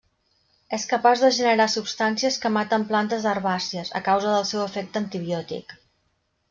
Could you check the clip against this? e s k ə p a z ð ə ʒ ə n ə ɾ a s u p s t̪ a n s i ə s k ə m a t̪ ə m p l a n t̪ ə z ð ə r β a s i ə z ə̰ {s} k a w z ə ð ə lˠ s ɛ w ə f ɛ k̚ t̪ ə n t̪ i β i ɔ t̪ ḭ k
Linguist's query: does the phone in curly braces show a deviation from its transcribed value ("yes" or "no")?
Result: yes